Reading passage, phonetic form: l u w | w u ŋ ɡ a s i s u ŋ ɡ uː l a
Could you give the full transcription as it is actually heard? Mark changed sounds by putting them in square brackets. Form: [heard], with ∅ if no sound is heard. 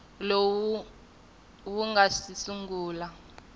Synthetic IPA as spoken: l [o] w | w u ŋ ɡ a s i s u ŋ ɡ uː l a